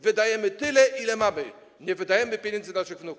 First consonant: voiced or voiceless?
voiced